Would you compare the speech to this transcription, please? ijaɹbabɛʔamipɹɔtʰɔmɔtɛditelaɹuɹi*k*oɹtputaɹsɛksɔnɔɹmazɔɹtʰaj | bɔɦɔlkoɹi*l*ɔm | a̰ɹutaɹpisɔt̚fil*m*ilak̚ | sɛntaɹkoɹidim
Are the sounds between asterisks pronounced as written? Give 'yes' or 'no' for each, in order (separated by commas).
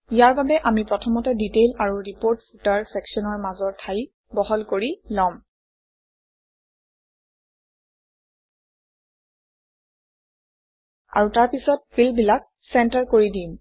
no, yes, no